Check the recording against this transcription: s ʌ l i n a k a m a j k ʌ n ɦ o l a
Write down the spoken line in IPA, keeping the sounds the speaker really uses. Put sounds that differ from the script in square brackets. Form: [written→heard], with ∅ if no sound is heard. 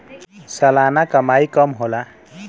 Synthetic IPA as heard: s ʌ l [i→a] n a k [a→ʌ] m a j k ʌ [n→m] ɦ o l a